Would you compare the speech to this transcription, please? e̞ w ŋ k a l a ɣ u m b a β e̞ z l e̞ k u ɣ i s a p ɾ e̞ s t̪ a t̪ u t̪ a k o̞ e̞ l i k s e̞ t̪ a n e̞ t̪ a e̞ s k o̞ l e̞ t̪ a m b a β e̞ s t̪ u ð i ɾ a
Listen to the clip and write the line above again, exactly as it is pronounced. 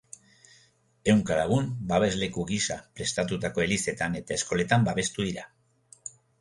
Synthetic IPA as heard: e̞ w ŋ k a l a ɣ u m b a β e̞ z l e̞ k u ɣ i s a p ɾ e̞ s t̪ a t̪ u t̪ a k o̞ e̞ l i s e̞ t̪ a n e̞ t̪ a e̞ s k o̞ l e̞ t̪ a m b a β e̞ s t̪ u ð i ɾ a